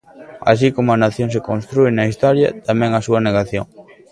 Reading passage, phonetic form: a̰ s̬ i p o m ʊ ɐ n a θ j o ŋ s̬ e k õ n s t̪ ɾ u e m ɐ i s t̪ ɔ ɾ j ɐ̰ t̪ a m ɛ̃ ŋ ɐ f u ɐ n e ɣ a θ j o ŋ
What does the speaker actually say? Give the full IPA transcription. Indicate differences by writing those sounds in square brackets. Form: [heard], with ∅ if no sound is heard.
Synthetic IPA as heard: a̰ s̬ i [k] o m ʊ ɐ n a θ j o ŋ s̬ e k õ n s t̪ ɾ u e [n] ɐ i s t̪ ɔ ɾ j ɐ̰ t̪ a m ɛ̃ ŋ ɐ [s] u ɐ n e ɣ a θ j o ŋ